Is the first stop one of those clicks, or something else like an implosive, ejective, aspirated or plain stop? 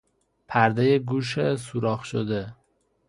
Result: aspirated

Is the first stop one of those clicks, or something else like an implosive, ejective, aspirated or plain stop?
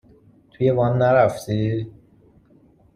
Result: aspirated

